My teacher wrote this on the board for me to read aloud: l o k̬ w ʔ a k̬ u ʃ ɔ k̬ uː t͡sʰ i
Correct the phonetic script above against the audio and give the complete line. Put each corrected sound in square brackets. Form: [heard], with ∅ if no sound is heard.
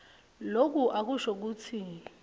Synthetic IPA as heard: l o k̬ [u] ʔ a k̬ u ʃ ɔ k̬ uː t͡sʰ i